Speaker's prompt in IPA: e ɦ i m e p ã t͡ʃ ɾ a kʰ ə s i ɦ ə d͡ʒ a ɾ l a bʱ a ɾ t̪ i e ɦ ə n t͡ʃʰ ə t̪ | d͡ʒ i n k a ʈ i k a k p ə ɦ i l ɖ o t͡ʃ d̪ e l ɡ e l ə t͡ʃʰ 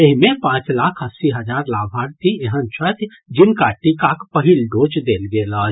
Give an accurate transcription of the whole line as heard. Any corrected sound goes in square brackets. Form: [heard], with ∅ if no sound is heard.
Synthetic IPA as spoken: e ɦ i m e p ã t͡ʃ [l] a kʰ ə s i ɦ ə d͡ʒ a ɾ l a bʱ a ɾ t̪ i e ɦ ə n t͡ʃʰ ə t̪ | d͡ʒ i n k a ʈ i k a k p ə ɦ i l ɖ o t͡ʃ d̪ e l ɡ e l ə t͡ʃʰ

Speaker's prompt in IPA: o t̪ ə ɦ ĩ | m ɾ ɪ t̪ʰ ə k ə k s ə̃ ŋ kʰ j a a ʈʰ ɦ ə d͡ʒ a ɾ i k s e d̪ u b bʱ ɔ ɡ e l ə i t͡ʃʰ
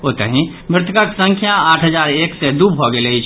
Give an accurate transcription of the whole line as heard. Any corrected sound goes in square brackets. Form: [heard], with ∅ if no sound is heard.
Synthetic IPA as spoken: o t̪ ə ɦ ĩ | m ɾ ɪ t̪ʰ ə k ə k s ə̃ ŋ kʰ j a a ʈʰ ɦ ə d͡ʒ a ɾ [e] k s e d̪ u b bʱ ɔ ɡ e l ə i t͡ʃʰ

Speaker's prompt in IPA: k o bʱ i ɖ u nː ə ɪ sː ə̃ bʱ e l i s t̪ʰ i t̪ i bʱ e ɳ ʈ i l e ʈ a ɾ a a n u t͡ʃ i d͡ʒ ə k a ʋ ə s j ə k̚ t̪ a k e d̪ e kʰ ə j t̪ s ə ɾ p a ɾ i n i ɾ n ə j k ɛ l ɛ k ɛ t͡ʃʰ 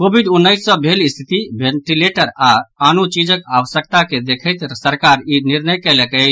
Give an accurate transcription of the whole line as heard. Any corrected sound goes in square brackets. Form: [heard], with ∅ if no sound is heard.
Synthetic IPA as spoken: k o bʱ i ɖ u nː ə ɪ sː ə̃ bʱ e l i s t̪ʰ i t̪ i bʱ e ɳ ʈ i l e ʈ [ə] ɾ a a n u t͡ʃ i d͡ʒ ə k a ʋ ə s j ə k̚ t̪ a k e d̪ e kʰ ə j t̪ s ə ɾ [k] a ɾ i n i ɾ n ə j k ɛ l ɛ k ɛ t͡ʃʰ

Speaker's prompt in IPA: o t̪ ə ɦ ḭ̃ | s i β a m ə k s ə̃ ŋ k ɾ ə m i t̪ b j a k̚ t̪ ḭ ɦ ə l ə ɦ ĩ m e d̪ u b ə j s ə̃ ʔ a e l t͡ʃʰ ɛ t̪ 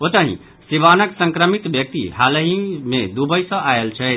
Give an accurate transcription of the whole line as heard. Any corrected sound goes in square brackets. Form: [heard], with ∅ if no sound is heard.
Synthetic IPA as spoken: o t̪ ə ɦ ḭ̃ | s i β a [n] ə k s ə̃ ŋ k ɾ ə m i t̪ b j [ə] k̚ t̪ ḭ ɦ [a] l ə ɦ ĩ m e d̪ u b ə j s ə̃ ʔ a e l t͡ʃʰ ɛ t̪

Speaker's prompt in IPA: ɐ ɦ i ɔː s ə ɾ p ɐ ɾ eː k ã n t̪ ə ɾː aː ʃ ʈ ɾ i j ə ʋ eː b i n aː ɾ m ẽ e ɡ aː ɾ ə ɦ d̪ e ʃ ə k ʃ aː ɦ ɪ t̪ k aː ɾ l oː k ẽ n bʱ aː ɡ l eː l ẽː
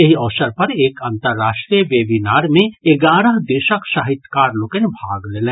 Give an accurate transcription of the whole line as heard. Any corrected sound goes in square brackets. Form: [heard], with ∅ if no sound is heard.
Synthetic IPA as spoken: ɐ ɦ i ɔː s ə ɾ p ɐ ɾ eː k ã n t̪ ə ɾː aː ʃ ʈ ɾ i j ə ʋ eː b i n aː ɾ m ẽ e ɡ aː ɾ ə ɦ d̪ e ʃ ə k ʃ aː ɦ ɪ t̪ k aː ɾ l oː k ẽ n bʱ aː ɡ l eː l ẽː

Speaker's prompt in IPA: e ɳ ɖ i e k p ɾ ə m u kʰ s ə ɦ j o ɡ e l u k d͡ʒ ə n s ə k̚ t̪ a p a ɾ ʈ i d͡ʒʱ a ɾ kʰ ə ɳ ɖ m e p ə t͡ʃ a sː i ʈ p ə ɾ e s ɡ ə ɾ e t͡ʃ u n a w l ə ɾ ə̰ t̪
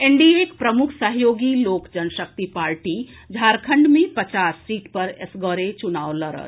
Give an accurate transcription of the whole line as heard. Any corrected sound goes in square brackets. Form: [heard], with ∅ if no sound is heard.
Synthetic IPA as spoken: e ɳ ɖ i e k p ɾ ə m u kʰ s ə ɦ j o ɡ [i] l [o] k d͡ʒ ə n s ə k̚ t̪ [i] p a ɾ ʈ i d͡ʒʱ a ɾ kʰ ə ɳ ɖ m e p ə t͡ʃ a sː i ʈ p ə ɾ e s ɡ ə ɾ e t͡ʃ u n a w l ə ɾ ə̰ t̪

